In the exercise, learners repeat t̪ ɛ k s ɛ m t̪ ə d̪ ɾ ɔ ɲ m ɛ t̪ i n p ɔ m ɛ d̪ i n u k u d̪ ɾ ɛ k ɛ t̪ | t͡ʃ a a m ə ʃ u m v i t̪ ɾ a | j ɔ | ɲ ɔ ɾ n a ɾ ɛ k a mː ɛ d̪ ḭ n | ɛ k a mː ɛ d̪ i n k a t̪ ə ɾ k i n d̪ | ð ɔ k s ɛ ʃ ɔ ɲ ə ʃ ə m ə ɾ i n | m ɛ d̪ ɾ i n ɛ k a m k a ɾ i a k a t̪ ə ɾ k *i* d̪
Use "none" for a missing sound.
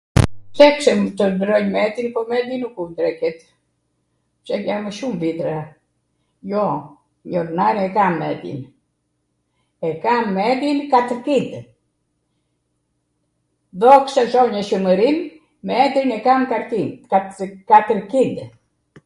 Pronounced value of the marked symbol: i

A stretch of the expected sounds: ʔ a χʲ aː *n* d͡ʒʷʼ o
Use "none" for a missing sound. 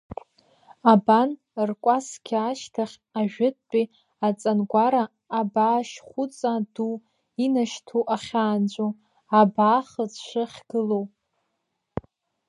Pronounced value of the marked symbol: n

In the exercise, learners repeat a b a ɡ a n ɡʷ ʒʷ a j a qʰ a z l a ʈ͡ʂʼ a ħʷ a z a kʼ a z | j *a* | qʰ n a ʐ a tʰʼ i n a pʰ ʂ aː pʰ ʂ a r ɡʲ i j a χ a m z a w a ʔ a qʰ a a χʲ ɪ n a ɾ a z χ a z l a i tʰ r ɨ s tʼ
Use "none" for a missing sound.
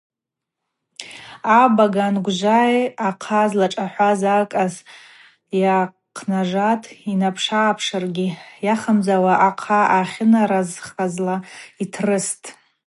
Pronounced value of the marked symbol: a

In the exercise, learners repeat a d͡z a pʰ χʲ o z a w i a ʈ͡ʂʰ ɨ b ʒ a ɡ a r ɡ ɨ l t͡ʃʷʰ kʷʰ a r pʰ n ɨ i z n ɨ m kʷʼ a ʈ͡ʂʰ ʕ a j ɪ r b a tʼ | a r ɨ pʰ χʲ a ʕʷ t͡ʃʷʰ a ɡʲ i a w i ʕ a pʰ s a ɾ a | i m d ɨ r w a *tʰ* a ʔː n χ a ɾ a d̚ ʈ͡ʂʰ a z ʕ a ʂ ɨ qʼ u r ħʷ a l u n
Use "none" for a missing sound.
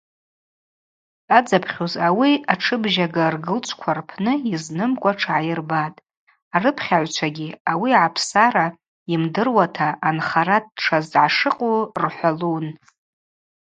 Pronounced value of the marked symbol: tʰ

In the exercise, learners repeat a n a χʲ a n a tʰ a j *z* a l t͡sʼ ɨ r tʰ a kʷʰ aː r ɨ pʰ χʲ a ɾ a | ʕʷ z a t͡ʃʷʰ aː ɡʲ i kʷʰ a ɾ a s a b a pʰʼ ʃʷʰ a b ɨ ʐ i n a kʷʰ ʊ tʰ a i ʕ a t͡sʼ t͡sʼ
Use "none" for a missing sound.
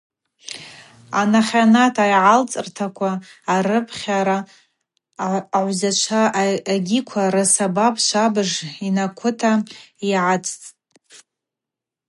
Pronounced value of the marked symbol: ʕ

